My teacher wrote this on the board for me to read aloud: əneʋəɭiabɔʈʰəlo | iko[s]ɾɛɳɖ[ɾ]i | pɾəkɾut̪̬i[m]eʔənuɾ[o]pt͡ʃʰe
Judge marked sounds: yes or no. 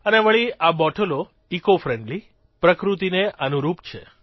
no, no, no, no

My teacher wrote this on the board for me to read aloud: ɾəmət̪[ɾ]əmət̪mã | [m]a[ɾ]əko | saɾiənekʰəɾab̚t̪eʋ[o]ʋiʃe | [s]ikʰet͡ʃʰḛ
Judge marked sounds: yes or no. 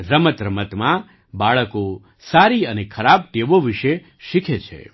yes, no, no, yes, no

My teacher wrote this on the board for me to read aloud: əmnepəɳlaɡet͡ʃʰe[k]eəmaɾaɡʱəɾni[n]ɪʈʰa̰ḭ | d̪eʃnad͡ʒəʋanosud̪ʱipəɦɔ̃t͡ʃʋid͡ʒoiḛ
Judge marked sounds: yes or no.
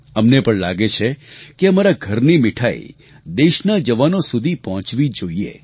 yes, no

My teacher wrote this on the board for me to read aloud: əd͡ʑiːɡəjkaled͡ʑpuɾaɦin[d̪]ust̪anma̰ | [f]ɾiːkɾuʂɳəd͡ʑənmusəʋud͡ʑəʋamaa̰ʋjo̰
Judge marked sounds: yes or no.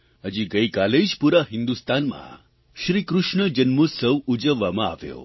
yes, no

